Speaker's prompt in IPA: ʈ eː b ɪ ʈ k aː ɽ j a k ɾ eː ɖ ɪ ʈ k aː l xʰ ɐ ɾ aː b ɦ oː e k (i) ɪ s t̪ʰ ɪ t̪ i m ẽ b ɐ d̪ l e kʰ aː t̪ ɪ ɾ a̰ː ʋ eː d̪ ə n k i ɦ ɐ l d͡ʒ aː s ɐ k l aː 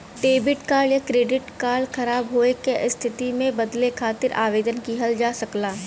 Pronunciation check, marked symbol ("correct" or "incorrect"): incorrect